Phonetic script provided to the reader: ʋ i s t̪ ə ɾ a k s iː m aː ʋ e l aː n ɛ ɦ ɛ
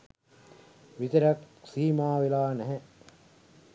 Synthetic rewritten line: ʋ i t̪ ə ɾ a k s iː m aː ʋ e l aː n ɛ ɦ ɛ